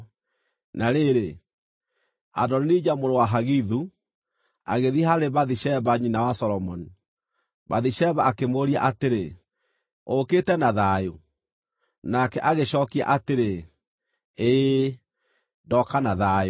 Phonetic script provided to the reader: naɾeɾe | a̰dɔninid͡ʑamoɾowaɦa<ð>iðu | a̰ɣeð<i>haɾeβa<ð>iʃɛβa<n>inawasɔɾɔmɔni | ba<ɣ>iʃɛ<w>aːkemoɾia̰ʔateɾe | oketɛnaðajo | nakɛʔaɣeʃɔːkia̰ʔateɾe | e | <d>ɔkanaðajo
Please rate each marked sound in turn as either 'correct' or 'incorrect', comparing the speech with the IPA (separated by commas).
incorrect, correct, correct, incorrect, incorrect, incorrect, correct